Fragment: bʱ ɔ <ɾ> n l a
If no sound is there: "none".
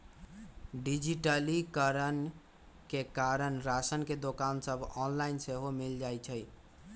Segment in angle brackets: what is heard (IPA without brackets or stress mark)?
none